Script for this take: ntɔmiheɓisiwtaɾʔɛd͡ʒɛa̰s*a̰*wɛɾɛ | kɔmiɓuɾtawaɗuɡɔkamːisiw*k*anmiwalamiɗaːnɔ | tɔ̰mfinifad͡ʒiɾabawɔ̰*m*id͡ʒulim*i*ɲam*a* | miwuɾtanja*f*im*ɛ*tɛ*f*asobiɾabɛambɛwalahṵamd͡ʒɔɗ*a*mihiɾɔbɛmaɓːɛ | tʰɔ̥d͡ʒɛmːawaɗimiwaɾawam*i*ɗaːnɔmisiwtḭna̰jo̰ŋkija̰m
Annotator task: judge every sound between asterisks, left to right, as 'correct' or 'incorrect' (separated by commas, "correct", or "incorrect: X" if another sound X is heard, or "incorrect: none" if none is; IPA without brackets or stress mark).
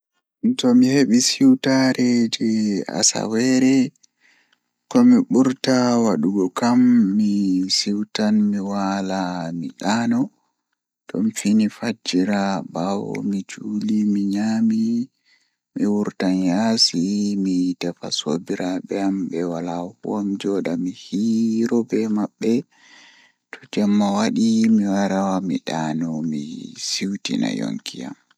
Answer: correct, incorrect: t, correct, correct, incorrect: i, incorrect: s, incorrect: i, correct, correct, correct